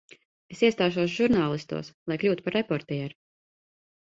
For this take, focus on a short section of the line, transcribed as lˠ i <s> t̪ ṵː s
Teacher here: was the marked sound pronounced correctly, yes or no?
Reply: yes